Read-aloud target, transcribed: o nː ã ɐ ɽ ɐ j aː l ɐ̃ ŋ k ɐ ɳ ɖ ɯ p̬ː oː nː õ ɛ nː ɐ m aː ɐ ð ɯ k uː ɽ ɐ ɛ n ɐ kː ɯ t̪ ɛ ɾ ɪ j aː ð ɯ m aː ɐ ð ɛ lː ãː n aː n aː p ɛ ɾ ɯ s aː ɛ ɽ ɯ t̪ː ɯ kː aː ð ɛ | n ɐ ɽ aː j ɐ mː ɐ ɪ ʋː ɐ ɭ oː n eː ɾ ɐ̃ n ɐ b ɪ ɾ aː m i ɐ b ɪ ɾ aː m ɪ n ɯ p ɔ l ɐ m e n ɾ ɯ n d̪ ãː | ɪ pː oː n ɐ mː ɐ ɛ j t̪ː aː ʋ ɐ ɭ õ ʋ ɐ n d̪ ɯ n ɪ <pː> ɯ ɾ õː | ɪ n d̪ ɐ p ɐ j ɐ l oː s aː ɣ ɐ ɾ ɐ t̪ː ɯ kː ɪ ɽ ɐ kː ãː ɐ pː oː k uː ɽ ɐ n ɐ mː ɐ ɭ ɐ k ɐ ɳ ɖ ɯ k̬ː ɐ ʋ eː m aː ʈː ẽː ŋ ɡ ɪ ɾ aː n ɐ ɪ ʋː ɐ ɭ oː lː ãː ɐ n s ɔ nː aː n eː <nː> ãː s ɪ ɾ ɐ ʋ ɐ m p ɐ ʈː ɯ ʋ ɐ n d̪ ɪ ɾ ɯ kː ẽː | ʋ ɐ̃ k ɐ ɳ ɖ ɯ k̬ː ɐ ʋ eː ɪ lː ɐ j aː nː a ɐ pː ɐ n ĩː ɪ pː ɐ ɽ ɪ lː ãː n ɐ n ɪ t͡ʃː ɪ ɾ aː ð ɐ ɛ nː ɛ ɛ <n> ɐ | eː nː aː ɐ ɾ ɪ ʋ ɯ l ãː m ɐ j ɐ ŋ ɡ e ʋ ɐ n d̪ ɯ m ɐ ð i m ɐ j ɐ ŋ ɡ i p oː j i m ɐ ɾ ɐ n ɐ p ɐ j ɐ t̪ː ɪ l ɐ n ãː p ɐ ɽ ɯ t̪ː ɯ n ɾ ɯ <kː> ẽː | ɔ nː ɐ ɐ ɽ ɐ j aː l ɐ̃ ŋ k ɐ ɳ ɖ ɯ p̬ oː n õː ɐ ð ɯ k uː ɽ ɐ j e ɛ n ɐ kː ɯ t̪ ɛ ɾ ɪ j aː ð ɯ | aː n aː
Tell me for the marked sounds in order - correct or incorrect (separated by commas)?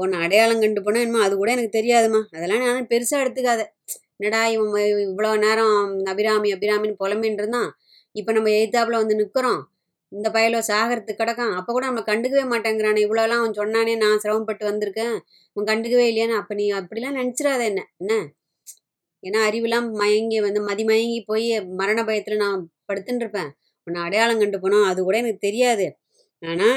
incorrect, incorrect, incorrect, incorrect